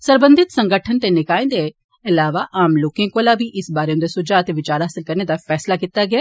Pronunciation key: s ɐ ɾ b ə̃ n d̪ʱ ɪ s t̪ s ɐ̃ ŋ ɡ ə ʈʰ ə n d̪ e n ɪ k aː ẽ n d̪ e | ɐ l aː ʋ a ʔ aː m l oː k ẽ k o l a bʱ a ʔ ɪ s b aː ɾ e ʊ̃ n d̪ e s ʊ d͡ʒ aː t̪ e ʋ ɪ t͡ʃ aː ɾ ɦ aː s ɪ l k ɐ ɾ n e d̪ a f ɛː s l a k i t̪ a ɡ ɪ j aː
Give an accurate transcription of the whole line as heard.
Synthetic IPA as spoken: s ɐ ɾ b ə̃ n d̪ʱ ɪ t̪ s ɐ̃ ŋ ɡ ə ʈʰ ə n t̪ e n ɪ k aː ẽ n d̪ e | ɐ l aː ʋ a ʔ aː m l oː k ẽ k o l a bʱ i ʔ ɪ s b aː ɾ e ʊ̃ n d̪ e s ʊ d͡ʒ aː t̪ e ʋ ɪ t͡ʃ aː ɾ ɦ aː s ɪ l k ɐ ɾ n e d̪ a f ɛː s l a k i t̪ a ɡ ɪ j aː